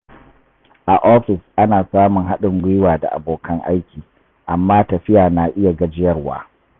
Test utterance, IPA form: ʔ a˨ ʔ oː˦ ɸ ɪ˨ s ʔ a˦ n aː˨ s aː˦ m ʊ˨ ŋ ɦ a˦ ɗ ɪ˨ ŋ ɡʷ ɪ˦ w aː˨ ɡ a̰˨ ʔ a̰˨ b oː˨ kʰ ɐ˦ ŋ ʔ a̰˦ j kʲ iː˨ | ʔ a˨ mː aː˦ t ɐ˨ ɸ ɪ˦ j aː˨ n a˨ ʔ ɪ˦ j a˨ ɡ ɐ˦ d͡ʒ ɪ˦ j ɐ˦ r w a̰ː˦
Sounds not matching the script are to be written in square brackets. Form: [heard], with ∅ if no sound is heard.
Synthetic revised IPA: ʔ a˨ ʔ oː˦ ɸ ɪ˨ s ʔ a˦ n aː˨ s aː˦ m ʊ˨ ŋ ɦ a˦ ɗ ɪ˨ ŋ ɡʷ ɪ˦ w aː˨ [d] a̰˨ ʔ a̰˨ b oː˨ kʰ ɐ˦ ŋ ʔ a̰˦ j kʲ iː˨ | ʔ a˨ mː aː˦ t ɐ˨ ɸ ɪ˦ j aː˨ n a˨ ʔ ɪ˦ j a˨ ɡ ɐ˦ d͡ʒ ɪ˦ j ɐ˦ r w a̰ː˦